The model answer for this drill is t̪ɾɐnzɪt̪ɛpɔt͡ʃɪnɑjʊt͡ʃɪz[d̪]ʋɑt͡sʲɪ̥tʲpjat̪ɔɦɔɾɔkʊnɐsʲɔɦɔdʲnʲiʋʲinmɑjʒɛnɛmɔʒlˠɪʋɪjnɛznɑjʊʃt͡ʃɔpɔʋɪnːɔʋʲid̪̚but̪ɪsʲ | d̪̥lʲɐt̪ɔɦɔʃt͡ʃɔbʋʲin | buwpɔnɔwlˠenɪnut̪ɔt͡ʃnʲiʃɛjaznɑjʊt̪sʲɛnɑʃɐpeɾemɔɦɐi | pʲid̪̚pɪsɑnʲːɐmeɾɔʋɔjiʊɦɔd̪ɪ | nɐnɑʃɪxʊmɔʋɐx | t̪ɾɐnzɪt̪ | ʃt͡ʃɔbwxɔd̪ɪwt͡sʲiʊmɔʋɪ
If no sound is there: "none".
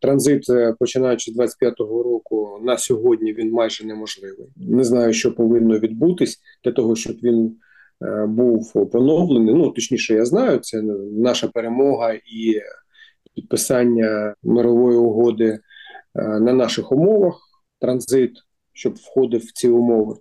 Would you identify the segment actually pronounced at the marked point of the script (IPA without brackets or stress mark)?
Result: d̪